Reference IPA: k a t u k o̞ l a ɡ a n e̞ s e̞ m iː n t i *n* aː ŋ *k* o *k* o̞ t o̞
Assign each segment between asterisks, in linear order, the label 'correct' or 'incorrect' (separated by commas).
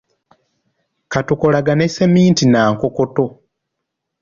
correct, correct, correct